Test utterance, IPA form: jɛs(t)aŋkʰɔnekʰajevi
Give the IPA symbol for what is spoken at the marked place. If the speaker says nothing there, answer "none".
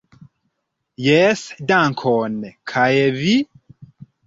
d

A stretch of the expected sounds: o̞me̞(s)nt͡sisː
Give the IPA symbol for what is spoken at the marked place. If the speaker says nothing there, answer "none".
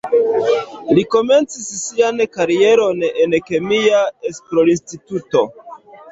none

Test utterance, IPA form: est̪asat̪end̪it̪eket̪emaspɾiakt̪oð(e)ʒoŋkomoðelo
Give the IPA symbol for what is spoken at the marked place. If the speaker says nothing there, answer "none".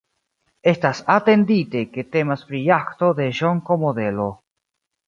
e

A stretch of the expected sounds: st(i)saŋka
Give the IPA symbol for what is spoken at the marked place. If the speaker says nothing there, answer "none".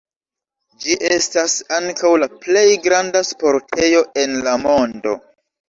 a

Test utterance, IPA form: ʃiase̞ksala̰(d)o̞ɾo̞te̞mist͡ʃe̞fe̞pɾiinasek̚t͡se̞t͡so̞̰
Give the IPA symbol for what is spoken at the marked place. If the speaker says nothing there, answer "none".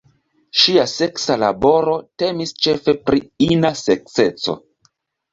b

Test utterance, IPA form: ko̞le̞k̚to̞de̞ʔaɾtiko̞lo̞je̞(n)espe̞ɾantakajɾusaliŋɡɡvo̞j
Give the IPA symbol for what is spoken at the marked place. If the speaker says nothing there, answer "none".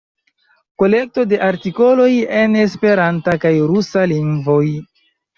n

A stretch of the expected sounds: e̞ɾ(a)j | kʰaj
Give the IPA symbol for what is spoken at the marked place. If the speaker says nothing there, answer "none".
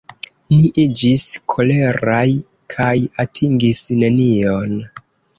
a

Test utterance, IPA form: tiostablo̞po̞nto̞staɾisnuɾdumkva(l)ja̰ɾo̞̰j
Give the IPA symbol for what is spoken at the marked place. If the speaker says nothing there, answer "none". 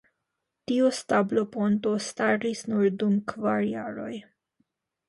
ɾ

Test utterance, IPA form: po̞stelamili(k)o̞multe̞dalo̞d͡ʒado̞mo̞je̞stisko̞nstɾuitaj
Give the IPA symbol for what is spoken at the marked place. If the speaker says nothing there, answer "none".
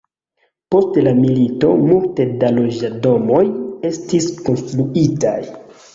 t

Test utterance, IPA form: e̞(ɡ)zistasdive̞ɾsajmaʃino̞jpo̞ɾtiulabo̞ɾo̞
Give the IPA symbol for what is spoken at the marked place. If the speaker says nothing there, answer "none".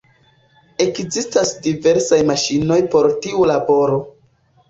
k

